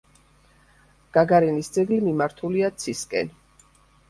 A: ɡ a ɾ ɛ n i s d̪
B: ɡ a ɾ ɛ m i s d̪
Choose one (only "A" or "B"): A